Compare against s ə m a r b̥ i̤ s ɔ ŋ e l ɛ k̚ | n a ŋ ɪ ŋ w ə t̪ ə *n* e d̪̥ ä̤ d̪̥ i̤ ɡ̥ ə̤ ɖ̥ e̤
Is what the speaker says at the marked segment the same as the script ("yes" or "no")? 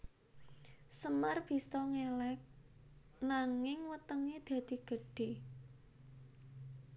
no